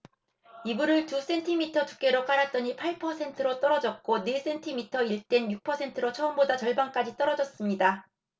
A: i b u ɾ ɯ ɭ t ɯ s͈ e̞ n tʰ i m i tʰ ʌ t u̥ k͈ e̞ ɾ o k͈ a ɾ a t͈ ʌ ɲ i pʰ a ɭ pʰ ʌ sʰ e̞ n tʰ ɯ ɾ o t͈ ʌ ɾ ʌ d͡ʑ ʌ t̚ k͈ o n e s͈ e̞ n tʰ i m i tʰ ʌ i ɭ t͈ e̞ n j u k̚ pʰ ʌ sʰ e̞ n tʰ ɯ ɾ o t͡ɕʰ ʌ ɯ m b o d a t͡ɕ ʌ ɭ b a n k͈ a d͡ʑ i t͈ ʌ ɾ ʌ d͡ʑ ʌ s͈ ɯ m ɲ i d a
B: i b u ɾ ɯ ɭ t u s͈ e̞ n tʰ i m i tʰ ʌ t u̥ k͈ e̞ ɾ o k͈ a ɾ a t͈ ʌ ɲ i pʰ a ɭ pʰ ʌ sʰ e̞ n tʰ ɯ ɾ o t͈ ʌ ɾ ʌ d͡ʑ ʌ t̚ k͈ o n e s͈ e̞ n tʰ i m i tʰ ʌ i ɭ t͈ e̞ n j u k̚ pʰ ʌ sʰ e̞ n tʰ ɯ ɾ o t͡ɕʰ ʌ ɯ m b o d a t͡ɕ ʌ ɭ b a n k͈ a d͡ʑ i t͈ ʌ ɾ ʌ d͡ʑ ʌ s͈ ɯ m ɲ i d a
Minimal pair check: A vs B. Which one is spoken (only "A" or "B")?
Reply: B